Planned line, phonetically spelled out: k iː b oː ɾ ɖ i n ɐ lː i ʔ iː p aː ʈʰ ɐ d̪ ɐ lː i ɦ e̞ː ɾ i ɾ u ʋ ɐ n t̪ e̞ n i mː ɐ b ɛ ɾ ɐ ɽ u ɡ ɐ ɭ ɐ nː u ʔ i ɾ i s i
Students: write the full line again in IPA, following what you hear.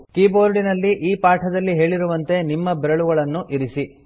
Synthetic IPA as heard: k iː b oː ɾ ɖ i n ɐ lː i ʔ iː p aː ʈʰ ɐ d̪ ɐ lː i ɦ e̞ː ɭ i ɾ u ʋ ɐ n t̪ e̞ n i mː ɐ b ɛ ɾ ɐ ɭ u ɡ ɐ ɭ ɐ nː u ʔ i ɾ i s i